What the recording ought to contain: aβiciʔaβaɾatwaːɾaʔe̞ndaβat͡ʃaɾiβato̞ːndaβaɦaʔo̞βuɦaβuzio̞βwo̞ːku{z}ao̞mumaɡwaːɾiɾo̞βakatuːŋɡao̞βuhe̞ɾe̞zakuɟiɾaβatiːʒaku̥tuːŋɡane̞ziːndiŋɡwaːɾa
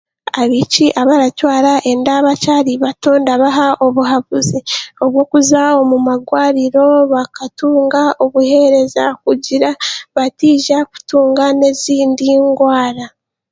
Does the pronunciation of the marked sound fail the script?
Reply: no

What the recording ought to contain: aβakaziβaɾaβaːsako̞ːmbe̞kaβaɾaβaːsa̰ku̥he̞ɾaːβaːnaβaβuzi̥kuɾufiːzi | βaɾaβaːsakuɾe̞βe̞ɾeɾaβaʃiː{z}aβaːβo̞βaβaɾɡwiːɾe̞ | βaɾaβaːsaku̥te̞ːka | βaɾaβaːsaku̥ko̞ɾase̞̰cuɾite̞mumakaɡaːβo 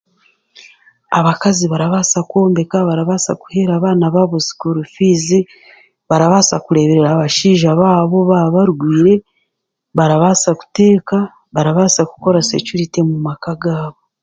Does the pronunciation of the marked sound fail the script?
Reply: yes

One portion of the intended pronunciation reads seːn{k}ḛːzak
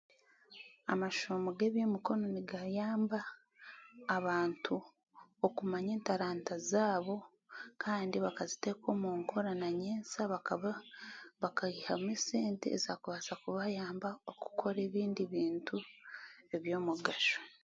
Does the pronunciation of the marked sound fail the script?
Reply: yes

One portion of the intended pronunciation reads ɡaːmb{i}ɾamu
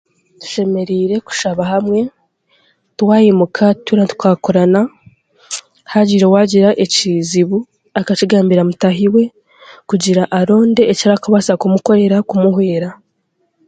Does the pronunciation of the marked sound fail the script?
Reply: no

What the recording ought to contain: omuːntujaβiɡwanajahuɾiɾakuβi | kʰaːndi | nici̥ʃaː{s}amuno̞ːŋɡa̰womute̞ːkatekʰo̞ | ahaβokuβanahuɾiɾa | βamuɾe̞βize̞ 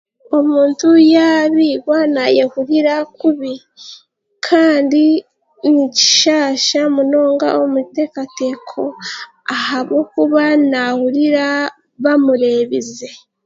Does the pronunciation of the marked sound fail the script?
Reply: yes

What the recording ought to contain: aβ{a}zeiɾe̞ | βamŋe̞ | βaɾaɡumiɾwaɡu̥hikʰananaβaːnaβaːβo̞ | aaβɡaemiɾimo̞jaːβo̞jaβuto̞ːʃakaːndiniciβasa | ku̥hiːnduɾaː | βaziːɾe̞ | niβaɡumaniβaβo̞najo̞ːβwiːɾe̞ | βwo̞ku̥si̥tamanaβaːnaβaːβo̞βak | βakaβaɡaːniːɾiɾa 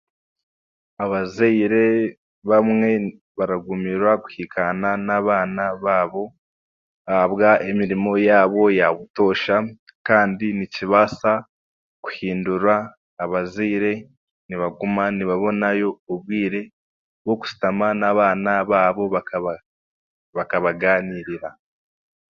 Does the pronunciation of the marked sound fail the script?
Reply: no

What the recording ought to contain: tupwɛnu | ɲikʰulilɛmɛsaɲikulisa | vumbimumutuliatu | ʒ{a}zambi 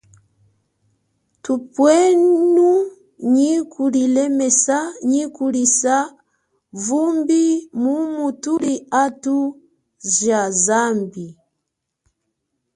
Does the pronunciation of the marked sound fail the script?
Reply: no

